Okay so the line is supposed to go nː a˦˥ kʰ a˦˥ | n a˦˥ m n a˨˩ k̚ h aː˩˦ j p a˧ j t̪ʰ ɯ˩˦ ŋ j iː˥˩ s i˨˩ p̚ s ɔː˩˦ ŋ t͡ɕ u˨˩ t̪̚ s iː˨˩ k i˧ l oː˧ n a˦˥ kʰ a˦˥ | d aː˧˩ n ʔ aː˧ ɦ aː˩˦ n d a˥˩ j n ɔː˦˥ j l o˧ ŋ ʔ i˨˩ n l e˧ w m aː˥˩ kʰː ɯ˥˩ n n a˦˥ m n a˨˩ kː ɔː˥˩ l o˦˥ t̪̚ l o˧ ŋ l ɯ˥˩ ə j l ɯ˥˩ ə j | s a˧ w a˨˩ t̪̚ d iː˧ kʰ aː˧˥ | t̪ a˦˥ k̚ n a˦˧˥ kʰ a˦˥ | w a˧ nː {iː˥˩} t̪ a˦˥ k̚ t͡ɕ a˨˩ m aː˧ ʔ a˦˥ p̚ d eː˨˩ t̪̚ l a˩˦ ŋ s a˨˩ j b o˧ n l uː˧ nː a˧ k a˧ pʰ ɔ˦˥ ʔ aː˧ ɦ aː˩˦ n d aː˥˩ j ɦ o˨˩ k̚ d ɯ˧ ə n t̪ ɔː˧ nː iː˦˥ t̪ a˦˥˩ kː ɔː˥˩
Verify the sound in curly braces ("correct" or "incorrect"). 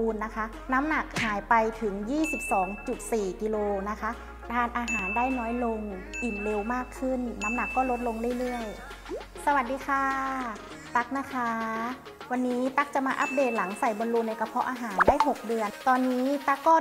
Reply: incorrect